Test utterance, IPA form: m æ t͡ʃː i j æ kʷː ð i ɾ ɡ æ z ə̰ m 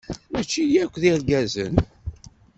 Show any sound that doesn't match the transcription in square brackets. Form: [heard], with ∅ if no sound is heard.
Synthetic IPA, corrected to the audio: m æ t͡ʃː i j æ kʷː ð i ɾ ɡ æ z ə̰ [n]